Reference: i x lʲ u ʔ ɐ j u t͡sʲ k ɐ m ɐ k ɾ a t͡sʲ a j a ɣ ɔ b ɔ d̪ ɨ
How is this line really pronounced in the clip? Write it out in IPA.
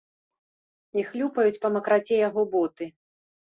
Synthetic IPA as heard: i x lʲ u p ɐ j u t͡sʲ p ɐ m ɐ k ɾ a t͡sʲ ɛ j a ɣ ɔ b ɔ t̪ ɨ